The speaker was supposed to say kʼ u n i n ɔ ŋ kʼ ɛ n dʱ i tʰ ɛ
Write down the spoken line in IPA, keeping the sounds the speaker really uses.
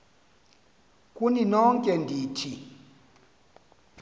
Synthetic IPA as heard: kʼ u n i n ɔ ŋ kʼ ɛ n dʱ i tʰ i